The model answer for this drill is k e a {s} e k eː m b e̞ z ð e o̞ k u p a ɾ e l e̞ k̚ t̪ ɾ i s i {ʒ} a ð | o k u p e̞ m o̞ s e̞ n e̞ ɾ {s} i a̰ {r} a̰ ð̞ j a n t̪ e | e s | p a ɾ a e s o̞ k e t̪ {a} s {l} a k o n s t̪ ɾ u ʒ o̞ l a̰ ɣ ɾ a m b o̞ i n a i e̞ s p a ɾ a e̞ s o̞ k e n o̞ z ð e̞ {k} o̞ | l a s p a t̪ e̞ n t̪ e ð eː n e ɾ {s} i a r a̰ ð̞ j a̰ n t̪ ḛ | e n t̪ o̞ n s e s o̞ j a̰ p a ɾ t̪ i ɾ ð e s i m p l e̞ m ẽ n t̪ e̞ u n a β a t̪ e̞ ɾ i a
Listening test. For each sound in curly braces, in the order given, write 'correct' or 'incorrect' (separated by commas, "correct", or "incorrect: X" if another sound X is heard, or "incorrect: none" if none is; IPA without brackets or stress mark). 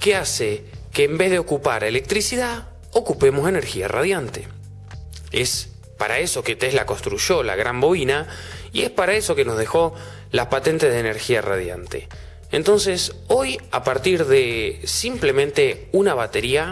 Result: correct, incorrect: ð, incorrect: x, correct, incorrect: e, correct, incorrect: x, incorrect: x